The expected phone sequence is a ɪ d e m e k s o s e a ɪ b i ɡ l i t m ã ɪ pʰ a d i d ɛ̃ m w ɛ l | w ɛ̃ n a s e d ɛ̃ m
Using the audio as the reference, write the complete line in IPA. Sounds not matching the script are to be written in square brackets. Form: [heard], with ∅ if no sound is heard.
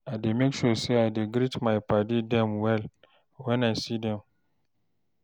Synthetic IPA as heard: a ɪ d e m e k [ʃ] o s e a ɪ [d] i ɡ [ɾ] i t m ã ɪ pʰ a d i d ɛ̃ m w ɛ l | w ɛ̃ n a s [i] d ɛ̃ m